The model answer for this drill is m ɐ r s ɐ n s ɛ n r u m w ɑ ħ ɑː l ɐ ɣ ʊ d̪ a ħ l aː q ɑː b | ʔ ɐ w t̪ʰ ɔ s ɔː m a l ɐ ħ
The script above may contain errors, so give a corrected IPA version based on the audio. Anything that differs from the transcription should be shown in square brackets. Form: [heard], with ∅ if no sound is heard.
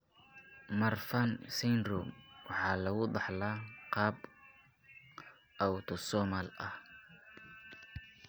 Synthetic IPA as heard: m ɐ r [f] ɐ n s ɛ n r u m w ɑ ħ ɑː l ɐ ɣ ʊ d̪ [ɑ] ħ l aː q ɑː b | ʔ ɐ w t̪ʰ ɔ s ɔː m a l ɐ [h]